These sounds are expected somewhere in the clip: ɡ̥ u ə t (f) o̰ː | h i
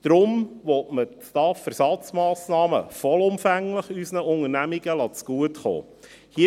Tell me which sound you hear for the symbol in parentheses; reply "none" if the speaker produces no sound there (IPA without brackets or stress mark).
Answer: χ